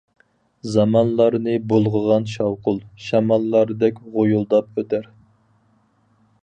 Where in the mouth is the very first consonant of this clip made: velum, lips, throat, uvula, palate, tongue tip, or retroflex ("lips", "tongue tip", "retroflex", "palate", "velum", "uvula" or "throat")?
tongue tip